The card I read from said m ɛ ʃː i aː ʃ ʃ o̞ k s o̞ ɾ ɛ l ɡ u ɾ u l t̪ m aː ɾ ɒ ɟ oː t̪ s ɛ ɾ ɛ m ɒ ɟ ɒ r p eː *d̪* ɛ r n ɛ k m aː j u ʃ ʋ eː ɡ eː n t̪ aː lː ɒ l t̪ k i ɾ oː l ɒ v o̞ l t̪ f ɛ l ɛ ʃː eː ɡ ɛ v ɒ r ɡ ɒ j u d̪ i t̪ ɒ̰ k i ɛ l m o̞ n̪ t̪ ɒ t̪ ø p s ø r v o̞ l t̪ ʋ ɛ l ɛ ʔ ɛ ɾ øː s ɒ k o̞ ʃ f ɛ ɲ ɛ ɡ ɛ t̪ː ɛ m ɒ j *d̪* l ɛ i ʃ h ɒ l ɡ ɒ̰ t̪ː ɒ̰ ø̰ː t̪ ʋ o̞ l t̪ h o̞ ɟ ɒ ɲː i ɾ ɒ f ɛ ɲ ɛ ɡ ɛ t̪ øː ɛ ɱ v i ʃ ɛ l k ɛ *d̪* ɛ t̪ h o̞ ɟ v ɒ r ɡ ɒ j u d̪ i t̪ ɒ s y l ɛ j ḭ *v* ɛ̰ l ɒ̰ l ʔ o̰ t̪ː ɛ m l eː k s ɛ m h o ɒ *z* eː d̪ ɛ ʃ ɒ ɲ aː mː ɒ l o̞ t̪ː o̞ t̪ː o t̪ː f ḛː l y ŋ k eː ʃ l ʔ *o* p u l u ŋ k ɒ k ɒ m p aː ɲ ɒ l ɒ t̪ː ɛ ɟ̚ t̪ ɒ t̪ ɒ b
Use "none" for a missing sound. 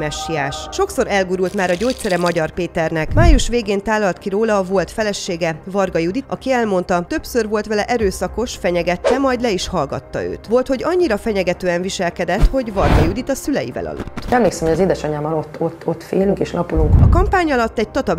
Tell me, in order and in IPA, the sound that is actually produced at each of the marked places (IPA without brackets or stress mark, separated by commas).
t̪, d̪, d̪, v, z, ɒ